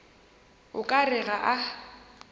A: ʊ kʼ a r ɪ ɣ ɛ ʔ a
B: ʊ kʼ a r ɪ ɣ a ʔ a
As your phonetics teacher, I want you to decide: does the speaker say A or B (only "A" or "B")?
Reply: B